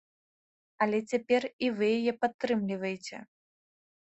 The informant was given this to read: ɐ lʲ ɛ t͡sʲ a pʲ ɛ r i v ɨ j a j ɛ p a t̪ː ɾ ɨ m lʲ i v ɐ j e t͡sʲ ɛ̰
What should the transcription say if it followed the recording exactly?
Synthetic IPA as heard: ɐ lʲ ɛ t͡sʲ a pʲ ɛ r i v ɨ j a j ɛ p a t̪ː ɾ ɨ m lʲ i v ɐ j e t͡sʲ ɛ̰